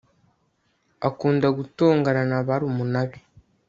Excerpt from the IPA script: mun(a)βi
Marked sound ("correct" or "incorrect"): correct